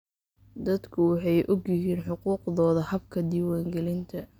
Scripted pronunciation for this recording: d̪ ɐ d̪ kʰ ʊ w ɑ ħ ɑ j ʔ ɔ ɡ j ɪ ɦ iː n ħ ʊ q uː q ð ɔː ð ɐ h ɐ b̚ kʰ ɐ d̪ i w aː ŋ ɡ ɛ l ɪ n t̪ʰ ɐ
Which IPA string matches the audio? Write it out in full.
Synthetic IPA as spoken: d̪ ɐ d̪ kʰ ʊ w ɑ ħ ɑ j ʔ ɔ ɡ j ɪ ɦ iː n ħ ʊ q uː q ð ɔː ð ɐ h ɐ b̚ kʰ ɐ d̪ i w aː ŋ ɡ ɛ l ɪ n t̪ʰ ɐ

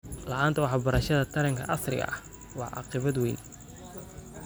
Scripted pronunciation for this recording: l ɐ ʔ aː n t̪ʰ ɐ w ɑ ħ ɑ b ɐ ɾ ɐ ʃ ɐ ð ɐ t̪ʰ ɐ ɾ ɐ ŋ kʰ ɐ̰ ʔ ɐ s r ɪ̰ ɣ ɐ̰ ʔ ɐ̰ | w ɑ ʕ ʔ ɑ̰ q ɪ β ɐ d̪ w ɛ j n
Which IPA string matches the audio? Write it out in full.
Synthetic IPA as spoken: l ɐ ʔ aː n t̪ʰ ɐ w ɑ ħ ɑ b ɐ ɾ ɐ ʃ ɐ ð ɐ t̪ʰ ɐ ɾ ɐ ŋ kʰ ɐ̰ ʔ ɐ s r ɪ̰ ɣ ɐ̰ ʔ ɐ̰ | w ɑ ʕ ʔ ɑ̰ q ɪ β ɐ d̪ w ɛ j n

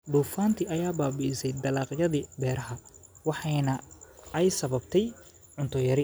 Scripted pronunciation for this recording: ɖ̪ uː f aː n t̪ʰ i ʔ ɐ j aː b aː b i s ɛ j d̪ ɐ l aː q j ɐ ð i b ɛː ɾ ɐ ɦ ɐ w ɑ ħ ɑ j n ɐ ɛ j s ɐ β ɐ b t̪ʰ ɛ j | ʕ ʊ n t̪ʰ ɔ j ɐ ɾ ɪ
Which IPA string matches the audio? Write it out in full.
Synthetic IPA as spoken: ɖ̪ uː f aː n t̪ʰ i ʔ ɐ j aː b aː b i s ɛ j d̪ ɐ l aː q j ɐ ð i b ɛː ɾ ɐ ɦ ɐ w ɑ ħ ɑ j n ɐ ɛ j s ɐ β ɐ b t̪ʰ ɛ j | ʕ ʊ n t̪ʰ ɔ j ɐ ɾ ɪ

